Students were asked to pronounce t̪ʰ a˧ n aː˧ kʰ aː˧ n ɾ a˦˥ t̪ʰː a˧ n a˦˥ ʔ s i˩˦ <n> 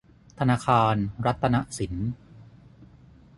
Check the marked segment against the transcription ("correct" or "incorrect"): correct